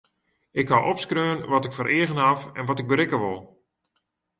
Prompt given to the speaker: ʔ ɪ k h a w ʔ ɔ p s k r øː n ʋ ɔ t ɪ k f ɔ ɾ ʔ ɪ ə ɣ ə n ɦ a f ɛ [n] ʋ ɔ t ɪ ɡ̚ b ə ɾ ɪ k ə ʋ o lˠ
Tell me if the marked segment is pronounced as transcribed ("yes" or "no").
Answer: yes